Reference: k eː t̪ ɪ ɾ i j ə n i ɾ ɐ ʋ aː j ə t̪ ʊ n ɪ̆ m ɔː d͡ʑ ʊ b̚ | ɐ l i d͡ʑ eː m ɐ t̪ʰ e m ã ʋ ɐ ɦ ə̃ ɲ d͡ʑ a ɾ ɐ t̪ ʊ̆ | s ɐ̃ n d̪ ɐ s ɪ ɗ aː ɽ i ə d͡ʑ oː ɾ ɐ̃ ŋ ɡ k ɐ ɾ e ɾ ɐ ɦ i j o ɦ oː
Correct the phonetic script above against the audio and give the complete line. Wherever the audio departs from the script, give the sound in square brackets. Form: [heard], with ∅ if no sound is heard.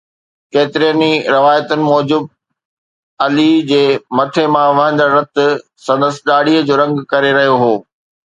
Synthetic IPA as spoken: k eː t̪ ɪ ɾ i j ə n i ɾ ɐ ʋ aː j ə t̪ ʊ n ɪ̆ m ɔː d͡ʑ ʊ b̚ | ɐ l i d͡ʑ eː m ɐ t̪ʰ e m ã ʋ ɐ ɦ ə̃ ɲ d͡ʑ a ɾ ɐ t̪ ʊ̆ | s ɐ̃ n d̪ [ə] s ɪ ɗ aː ɽ i ə d͡ʑ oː ɾ ɐ̃ ŋ ɡ k ɐ ɾ e ɾ ɐ ɦ i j o ɦ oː